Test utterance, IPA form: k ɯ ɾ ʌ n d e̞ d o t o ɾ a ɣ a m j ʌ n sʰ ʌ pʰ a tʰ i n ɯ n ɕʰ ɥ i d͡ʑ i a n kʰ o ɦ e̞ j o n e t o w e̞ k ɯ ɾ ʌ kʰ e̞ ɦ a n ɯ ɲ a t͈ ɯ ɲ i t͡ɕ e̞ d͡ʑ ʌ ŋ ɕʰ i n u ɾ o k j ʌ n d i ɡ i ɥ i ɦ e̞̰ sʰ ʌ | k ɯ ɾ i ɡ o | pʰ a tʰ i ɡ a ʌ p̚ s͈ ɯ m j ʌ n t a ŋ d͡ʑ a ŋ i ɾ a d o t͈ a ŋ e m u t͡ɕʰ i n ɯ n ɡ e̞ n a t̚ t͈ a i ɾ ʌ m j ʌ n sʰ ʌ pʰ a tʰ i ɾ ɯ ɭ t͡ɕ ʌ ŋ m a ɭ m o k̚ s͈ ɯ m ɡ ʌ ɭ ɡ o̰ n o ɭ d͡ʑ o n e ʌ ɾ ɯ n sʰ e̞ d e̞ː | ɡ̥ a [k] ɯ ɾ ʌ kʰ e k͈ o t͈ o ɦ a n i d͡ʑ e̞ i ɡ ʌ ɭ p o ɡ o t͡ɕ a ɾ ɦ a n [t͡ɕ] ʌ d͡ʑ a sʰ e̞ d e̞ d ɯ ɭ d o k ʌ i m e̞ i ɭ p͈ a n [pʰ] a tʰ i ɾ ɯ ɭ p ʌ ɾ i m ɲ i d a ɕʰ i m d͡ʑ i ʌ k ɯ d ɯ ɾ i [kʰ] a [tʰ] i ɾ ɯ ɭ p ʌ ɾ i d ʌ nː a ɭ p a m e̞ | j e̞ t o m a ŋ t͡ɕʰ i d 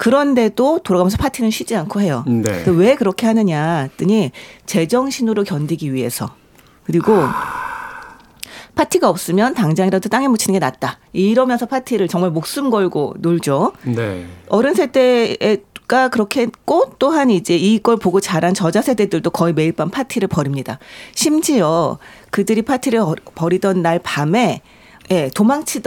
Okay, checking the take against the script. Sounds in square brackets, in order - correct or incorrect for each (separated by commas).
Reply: correct, correct, correct, incorrect, correct